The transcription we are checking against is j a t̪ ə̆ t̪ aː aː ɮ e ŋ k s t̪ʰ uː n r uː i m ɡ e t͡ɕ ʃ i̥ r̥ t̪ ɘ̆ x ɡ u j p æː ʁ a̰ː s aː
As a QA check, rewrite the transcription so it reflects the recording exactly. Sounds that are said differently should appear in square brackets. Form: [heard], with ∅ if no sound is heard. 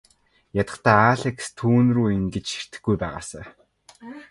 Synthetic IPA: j a t̪ ə̆ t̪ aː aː ɮ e [∅] k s t̪ʰ uː n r uː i [ŋ] ɡ e t͡ɕ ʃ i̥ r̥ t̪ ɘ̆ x ɡ u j p æː ʁ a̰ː s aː

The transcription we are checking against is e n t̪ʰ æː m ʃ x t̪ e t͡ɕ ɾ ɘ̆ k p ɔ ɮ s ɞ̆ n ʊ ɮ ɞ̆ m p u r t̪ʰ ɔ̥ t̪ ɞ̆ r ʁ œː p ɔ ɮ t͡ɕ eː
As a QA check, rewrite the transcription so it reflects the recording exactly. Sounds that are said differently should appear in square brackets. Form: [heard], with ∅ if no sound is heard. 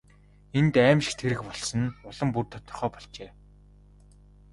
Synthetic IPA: e n [t̪] æː m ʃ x [t̪ʰ] e [∅] ɾ ɘ̆ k p ɔ ɮ s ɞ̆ n ʊ ɮ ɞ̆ m p u r t̪ʰ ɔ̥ t̪ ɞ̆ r [χ] œː p ɔ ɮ t͡ɕ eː

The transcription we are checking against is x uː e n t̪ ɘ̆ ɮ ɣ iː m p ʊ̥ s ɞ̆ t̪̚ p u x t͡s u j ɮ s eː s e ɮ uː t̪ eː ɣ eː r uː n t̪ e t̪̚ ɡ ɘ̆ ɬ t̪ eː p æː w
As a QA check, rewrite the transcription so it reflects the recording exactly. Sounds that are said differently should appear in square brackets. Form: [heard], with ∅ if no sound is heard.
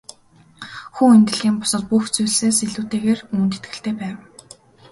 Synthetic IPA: x uː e n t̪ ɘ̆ ɮ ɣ iː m p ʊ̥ s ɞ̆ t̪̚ p u x t͡s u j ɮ s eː s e ɮ uː t̪ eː ɣ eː r uː n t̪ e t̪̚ ɡ ɘ̆ ɬ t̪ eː p æː w

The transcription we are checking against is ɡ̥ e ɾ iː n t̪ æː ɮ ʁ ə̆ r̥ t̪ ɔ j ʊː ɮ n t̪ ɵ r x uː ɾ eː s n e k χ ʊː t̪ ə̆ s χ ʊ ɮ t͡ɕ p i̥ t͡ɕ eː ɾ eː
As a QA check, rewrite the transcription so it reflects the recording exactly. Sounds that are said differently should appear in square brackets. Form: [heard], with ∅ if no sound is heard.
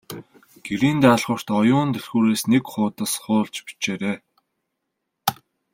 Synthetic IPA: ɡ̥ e ɾ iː n t̪ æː ɮ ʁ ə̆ r̥ t̪ ɔ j ʊː [∅] n t̪ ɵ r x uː ɾ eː s n e k χ ʊː t̪ ə̆ s χ [ʊː] ɮ t͡ɕ p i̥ t͡ɕ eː ɾ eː

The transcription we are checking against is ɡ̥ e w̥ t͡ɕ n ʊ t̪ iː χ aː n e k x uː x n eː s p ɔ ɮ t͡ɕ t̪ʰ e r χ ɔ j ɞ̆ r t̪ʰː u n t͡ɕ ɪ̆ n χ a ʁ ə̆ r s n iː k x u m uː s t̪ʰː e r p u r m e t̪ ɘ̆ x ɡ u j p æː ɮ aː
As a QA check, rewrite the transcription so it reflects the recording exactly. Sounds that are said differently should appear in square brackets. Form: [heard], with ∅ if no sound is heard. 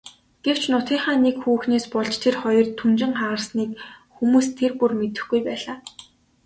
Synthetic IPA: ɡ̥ e w̥ t͡ɕ n ʊ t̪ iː χ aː n e k x uː x n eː s p ɔ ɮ t͡ɕ t̪ʰ e r χ ɔ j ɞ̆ r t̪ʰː u n t͡ɕ ɪ̆ [ŋ] χ a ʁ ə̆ r s n iː k x u m uː s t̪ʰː e r p u r m e t̪ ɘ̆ x ɡ u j p æː ɮ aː

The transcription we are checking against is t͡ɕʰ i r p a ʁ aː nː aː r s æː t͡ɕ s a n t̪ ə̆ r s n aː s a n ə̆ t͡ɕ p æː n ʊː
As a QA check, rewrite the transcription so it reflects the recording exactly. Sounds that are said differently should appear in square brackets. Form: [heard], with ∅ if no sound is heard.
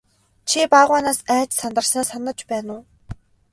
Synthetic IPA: t͡ɕʰ i [∅] p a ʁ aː [n] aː [∅] s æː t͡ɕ s a n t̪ ə̆ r s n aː s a n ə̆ t͡ɕ p æː n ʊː

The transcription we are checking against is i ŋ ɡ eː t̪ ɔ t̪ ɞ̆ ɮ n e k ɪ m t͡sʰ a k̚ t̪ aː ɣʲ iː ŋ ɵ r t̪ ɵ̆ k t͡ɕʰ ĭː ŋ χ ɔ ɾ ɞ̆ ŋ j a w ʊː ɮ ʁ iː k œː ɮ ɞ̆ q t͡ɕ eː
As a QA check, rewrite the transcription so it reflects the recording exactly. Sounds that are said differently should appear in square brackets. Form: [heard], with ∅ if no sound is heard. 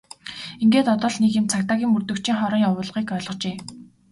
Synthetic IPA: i ŋ ɡ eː t̪ ɔ t̪ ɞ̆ ɮ n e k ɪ m t͡sʰ a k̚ t̪ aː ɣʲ iː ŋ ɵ r t̪ ɵ̆ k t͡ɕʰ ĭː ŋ χ ɔ ɾ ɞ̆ ŋ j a w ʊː ɮ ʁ iː k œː ɮ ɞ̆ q t͡ɕ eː

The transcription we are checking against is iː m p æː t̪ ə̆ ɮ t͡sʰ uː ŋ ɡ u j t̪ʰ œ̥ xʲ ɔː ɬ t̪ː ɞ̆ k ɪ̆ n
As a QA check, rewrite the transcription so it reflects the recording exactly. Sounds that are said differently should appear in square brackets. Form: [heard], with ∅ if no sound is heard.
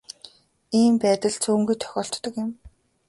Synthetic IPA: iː m p æː t̪ ə̆ ɮ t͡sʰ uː ŋ ɡ u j t̪ʰ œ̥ xʲ ɔː ɬ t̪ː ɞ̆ k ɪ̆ [m]

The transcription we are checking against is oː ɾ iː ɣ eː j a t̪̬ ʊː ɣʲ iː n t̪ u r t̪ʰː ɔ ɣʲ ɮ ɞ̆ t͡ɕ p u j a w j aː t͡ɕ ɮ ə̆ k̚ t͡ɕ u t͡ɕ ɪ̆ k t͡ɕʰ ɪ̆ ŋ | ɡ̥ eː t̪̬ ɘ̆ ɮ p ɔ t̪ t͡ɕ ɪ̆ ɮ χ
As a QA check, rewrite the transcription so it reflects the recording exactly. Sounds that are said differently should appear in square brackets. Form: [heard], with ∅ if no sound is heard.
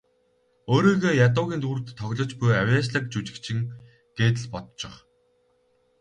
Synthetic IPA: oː ɾ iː ɣ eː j a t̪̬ ʊː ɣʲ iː n t̪ u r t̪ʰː ɔ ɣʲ ɮ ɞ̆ t͡ɕ p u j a w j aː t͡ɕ ɮ ə̆ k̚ t͡ɕ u t͡ɕ ɪ̆ k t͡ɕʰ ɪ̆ ŋ | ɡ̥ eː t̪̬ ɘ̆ ɮ p ɔ t̪ t͡ɕ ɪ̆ [∅] χ

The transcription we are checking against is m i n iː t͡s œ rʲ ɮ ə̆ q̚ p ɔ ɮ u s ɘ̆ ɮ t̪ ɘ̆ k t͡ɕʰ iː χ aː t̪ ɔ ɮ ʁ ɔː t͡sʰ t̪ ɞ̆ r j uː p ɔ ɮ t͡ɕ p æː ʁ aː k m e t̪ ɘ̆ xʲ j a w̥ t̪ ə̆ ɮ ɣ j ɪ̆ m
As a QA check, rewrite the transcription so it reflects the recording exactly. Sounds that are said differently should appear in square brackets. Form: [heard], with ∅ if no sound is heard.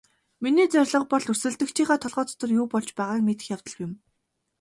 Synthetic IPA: m i n iː t͡s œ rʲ ɮ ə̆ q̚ p ɔ ɮ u s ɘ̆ ɮ t̪ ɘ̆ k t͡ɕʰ iː χ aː [t̪ʰ] ɔ ɮ ʁ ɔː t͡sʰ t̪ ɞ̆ r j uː p ɔ ɮ t͡ɕ p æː ʁ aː k m e t̪ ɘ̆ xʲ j a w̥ t̪ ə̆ ɮ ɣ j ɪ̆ m

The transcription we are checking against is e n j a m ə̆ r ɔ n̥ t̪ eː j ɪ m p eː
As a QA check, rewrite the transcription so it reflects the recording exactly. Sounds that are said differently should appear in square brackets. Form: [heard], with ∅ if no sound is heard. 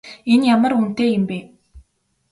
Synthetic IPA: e n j a m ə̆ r [u] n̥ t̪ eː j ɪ m p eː

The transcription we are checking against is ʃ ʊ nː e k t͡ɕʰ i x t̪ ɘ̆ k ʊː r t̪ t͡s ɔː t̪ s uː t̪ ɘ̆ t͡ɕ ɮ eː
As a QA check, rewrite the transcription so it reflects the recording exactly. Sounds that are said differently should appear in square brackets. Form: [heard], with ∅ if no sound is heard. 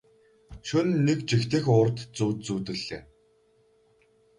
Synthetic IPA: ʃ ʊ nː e k [t͡ɕ] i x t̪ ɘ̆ [x] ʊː r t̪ t͡s [uː] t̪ [t͡s] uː t̪ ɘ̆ [∅] ɮ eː

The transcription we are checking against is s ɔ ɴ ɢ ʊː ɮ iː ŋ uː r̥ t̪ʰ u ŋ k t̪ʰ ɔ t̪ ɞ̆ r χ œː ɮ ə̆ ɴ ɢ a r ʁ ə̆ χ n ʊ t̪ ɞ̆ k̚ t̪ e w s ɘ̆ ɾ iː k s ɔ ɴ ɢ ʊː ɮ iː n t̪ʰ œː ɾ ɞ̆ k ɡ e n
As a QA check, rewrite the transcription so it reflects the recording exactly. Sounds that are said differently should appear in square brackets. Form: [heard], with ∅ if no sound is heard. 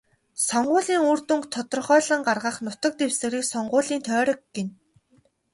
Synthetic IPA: s ɔ ɴ ɢ ʊː ɮ iː ŋ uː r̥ [t̪] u ŋ k t̪ʰ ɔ t̪ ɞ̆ r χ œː ɮ ə̆ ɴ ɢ a r ʁ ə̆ χ n ʊ t̪ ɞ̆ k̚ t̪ e w s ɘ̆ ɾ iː k s ɔ ɴ ɢ ʊː ɮ iː n t̪ʰ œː ɾ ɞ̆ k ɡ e n

